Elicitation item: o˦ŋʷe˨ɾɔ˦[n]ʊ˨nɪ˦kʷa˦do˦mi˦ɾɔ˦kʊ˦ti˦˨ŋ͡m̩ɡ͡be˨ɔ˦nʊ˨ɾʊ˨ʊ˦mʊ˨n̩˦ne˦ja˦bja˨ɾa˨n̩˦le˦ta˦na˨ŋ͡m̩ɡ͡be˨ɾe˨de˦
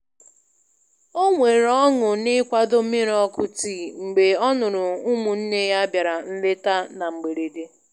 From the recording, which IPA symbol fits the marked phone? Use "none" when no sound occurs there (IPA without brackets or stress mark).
ŋ